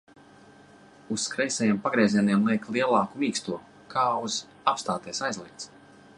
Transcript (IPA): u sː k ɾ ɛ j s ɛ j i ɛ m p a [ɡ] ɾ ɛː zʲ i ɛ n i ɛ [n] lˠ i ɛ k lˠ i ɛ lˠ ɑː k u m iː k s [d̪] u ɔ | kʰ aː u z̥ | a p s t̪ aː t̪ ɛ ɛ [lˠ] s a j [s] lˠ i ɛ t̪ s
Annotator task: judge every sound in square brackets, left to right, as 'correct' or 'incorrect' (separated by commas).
correct, incorrect, incorrect, incorrect, incorrect